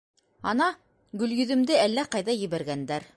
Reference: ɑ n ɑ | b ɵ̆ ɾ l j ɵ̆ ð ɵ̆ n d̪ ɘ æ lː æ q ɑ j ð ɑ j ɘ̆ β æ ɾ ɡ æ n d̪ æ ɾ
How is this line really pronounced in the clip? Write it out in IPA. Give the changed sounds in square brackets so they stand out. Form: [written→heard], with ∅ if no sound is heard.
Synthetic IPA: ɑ n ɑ | [b→ɡ] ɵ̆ [ɾ→∅] l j ɵ̆ ð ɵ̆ [n→m] d̪ ɘ æ lː æ q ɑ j ð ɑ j ɘ̆ β æ ɾ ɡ æ n d̪ æ ɾ

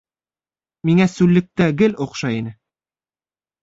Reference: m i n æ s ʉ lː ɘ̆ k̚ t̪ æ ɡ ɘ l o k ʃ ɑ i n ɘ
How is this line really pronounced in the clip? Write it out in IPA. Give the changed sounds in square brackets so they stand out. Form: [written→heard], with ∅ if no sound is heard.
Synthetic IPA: m i [n→ŋ] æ s ʉ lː ɘ̆ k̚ t̪ æ ɡ ɘ l o [k→q] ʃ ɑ i n ɘ

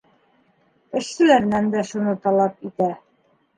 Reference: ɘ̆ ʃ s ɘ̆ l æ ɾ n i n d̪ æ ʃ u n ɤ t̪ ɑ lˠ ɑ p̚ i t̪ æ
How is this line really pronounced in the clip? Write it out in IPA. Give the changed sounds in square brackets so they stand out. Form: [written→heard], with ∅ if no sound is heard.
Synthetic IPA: ɘ̆ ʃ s ɘ̆ l æ ɾ n [i→æ] n d̪ æ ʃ u n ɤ t̪ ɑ lˠ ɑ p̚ i t̪ æ

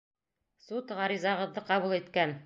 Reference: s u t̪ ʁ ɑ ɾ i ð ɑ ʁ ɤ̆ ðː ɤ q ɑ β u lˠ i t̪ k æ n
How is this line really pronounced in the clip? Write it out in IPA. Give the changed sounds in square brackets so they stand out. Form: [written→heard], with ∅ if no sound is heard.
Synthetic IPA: s u t̪ ʁ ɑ ɾ i [ð→z] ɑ ʁ ɤ̆ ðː ɤ q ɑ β u lˠ i t̪ k æ n

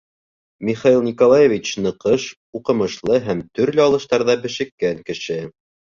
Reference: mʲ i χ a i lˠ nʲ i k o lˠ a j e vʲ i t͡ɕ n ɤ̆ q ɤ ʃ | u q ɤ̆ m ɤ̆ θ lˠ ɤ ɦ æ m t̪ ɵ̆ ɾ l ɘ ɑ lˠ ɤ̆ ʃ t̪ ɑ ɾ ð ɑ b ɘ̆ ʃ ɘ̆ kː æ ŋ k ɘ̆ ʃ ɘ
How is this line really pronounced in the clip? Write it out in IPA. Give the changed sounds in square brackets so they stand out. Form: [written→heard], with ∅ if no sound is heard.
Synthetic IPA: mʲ i χ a i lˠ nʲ i k o lˠ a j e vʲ i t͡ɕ n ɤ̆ q ɤ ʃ | u q ɤ̆ m ɤ̆ [θ→ʃ] lˠ ɤ ɦ æ m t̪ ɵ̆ ɾ l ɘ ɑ lˠ ɤ̆ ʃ t̪ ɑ ɾ ð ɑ b ɘ̆ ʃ ɘ̆ kː æ ŋ k ɘ̆ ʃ ɘ

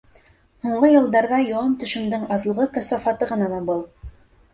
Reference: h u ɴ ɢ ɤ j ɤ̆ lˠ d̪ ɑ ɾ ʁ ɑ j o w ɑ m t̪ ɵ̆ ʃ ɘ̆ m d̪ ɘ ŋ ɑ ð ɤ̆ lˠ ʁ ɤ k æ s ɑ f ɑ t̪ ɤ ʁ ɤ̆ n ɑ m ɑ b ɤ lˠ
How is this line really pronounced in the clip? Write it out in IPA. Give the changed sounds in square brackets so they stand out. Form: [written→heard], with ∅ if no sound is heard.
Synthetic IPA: h u ɴ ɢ ɤ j ɤ̆ lˠ d̪ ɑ ɾ [ʁ→ð] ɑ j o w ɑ m t̪ ɵ̆ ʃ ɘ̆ m d̪ ɘ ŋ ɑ ð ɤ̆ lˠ ʁ ɤ k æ s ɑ f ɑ t̪ ɤ ʁ ɤ̆ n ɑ m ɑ b ɤ lˠ

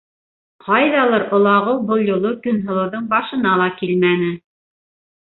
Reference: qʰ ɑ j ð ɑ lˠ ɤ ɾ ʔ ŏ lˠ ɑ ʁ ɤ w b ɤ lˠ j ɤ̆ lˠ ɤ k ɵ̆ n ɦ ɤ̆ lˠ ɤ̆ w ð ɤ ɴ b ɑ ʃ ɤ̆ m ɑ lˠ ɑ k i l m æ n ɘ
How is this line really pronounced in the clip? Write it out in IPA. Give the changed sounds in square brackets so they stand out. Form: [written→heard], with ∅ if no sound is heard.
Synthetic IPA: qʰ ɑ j ð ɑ lˠ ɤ ɾ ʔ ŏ lˠ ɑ ʁ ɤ w b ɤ lˠ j [ɤ̆→ŏ] lˠ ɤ k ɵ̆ n ɦ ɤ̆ lˠ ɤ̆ w ð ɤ ɴ b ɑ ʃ ɤ̆ [m→n] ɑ lˠ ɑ k i l m æ n ɘ

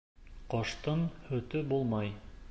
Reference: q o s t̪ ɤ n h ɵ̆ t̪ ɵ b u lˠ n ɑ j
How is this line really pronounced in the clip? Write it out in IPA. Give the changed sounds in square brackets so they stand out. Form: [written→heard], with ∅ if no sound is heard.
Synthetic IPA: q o [s→ʃ] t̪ ɤ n h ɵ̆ t̪ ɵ b u lˠ [n→m] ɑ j

